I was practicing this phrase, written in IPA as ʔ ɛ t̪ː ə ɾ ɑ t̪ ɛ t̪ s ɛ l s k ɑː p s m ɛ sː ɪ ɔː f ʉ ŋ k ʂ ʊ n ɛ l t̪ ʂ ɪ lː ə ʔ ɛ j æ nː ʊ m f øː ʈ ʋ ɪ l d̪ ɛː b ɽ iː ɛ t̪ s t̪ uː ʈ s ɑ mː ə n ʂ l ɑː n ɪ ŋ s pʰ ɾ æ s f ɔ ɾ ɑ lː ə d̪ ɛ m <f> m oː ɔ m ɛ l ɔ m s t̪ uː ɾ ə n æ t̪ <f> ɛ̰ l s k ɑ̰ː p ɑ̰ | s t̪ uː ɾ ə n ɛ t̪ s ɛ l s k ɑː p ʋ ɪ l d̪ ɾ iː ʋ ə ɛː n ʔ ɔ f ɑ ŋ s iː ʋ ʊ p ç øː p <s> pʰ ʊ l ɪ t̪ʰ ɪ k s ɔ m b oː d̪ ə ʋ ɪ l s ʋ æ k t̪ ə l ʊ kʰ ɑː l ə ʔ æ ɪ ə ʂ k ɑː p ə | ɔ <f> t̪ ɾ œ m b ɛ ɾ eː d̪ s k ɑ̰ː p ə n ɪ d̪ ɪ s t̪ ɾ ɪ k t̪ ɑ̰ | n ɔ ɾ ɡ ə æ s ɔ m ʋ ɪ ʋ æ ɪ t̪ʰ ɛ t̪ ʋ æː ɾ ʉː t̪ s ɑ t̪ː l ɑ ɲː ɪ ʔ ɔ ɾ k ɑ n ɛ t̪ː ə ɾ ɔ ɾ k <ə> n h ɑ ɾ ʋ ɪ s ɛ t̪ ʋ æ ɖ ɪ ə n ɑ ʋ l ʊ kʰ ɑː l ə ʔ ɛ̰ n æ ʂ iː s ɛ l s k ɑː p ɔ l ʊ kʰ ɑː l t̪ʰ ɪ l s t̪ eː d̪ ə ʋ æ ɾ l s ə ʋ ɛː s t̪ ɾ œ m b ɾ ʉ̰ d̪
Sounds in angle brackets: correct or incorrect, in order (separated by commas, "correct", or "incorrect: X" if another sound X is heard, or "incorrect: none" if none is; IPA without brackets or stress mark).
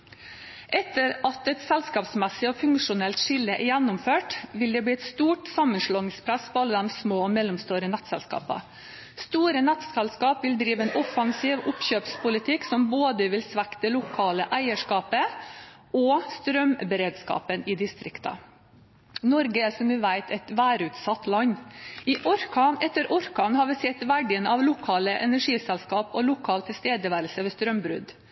incorrect: s, incorrect: s, correct, incorrect: s, incorrect: ɑ